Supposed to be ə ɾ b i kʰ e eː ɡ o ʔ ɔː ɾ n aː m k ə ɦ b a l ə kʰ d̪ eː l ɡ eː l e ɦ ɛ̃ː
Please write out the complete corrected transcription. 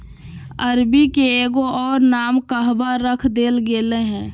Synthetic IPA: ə ɾ b i k e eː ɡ o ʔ ɔː ɾ n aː m k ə ɦ b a ɾ ə kʰ d̪ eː l ɡ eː l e ɦ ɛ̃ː